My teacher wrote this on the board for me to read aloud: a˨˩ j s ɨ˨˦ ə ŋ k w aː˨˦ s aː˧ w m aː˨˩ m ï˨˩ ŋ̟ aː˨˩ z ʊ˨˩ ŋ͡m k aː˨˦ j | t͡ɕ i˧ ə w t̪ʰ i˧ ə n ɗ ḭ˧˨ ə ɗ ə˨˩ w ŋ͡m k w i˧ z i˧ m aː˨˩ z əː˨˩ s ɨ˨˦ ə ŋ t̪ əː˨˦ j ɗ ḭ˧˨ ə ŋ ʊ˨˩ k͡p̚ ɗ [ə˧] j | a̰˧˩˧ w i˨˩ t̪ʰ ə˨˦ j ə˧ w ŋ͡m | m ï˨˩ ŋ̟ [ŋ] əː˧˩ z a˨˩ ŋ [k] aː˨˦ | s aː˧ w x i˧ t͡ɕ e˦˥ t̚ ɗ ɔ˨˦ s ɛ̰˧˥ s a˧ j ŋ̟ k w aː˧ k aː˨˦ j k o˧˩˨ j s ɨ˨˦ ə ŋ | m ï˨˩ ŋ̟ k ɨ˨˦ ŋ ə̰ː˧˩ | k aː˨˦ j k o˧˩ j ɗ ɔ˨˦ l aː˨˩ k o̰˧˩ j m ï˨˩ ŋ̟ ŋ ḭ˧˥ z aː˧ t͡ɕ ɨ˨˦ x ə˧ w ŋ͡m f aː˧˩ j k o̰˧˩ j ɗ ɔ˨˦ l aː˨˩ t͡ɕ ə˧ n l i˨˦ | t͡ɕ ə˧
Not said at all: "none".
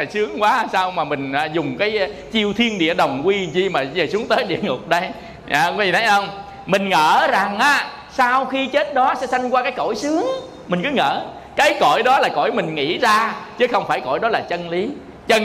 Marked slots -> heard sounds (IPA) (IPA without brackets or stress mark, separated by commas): ə˧, ŋ, ʔ